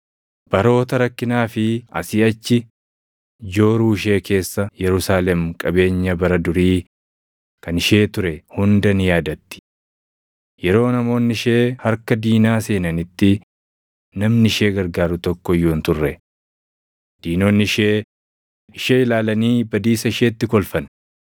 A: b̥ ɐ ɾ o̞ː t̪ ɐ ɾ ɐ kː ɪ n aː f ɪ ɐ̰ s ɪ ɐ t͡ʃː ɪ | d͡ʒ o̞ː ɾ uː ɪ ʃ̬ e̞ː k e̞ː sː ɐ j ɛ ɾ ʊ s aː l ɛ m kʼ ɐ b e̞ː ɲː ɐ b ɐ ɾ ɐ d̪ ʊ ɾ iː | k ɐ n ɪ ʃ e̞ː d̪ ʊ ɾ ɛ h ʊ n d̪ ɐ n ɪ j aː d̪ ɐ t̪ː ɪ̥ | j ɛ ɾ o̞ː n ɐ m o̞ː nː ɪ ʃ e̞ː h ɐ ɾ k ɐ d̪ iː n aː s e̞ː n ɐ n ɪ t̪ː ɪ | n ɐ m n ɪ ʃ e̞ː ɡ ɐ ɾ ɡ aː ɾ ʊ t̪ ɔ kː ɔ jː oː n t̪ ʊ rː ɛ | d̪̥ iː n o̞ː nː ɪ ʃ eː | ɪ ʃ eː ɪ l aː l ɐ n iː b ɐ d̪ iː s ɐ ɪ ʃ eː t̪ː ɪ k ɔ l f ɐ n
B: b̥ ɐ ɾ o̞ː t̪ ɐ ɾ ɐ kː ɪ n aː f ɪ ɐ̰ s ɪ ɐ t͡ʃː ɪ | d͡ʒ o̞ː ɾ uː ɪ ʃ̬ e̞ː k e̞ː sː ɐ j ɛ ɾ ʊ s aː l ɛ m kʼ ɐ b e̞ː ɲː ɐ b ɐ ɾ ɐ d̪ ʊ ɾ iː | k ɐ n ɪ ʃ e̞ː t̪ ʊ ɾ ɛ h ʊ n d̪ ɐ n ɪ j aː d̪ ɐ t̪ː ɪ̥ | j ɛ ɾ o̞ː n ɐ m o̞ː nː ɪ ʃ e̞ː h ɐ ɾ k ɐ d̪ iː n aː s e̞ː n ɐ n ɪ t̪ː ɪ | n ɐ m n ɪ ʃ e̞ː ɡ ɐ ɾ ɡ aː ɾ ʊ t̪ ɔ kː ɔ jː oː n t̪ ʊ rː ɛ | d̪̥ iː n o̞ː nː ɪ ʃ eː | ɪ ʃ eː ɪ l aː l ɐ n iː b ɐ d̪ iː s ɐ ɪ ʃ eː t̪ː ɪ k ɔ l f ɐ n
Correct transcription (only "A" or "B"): B